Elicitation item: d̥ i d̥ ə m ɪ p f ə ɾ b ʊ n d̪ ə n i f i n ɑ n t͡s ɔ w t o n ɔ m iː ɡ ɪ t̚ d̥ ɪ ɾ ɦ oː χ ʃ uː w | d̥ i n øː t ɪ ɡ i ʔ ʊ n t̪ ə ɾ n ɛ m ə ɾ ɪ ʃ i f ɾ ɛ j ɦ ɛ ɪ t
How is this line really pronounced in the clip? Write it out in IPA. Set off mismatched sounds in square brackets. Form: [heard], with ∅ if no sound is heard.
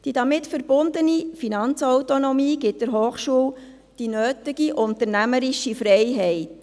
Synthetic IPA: d̥ i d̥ [ɑ] m ɪ [t] f ə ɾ b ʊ n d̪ ə n i f i n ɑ n t͡s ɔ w t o n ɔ m iː ɡ ɪ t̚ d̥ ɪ ɾ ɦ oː χ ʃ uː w | d̥ i n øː t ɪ ɡ i ʔ ʊ n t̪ ə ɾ n [æ] m ə ɾ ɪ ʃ i f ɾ ɛ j ɦ ɛ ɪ t